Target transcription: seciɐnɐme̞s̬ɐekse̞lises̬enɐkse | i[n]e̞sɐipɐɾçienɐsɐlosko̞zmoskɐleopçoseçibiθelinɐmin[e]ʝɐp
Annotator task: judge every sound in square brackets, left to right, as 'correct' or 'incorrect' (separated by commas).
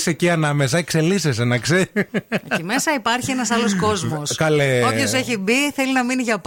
incorrect, incorrect